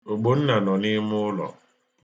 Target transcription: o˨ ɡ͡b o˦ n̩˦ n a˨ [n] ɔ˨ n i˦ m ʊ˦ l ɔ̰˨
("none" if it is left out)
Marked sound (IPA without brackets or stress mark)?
n